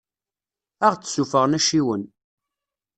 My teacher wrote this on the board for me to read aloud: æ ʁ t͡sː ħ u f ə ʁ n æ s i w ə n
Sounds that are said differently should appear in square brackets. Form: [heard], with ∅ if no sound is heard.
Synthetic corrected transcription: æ ʁ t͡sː [s] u f ə ʁ n æ [ʃ] i w ə n

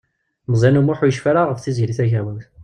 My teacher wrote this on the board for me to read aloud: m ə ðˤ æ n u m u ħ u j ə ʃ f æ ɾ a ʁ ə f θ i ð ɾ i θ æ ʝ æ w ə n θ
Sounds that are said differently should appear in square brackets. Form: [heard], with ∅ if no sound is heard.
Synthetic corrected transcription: m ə [zˤ] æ n u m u ħ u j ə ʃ f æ ɾ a ʁ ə f θ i [z] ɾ i θ æ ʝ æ w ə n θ

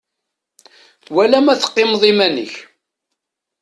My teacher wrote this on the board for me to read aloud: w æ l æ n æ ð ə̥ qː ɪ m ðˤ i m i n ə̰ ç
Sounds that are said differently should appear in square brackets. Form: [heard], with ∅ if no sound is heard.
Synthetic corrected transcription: w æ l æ [m] æ [θ] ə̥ qː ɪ m ðˤ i m [æ] n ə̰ ç

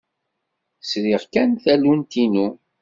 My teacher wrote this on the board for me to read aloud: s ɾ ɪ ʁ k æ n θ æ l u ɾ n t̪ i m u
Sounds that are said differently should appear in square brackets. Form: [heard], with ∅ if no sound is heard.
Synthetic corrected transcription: s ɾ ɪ ʁ k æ n θ æ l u [∅] n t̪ i [n] u

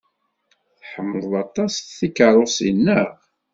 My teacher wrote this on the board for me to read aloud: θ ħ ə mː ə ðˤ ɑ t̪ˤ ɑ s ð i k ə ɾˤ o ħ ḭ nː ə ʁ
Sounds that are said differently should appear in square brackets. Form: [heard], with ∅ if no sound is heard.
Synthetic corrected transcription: θ ħ ə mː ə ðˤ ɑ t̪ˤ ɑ s [θ] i k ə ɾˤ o [s] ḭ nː ə ʁ

